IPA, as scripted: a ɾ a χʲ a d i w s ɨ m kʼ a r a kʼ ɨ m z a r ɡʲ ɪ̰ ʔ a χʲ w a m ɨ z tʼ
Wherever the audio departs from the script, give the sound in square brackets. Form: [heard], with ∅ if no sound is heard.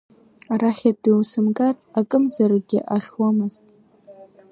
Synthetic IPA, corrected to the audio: a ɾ a χʲ a d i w s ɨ m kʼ a r a kʼ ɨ m z a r ɡʲ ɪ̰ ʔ a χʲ w a m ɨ z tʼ